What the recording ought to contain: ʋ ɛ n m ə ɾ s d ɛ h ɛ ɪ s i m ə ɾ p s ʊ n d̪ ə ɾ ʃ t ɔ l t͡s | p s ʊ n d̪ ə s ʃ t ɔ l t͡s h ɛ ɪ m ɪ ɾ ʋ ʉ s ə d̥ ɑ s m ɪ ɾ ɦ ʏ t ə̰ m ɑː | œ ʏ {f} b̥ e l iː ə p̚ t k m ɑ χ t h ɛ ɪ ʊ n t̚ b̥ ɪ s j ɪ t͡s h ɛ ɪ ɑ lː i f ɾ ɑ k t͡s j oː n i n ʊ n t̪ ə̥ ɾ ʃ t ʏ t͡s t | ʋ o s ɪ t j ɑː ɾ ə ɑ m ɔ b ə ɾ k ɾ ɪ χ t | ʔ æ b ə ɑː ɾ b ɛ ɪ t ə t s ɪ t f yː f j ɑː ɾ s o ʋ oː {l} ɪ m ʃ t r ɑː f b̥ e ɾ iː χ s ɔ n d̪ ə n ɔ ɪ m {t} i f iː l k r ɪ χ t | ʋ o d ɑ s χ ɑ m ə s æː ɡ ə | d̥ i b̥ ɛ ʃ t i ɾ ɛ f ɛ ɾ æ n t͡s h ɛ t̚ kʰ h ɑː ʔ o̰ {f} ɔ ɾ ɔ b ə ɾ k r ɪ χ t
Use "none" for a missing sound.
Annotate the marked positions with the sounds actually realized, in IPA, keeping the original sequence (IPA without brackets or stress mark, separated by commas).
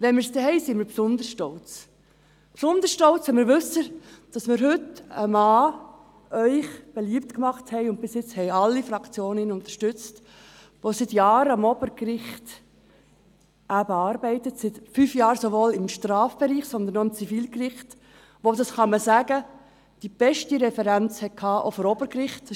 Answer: χ, l, t͡s, f